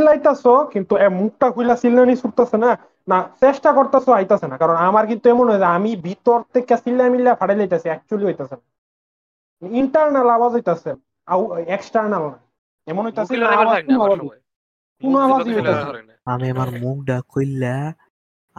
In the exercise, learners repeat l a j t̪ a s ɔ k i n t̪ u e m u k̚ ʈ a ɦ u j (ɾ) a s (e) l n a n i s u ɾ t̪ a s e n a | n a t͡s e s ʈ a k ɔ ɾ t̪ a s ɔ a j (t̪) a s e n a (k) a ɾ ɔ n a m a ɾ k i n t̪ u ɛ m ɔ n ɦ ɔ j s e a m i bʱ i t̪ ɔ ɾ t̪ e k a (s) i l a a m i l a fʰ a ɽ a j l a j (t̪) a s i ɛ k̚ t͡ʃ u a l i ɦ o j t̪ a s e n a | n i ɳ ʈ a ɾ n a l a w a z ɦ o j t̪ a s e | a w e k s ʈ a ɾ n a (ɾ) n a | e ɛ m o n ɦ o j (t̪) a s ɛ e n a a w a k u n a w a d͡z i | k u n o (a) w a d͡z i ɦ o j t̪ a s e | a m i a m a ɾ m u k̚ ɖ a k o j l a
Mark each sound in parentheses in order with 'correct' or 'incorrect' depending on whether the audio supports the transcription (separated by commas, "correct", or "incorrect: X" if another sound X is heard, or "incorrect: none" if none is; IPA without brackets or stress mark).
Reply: incorrect: l, incorrect: i, correct, correct, correct, correct, incorrect: l, correct, correct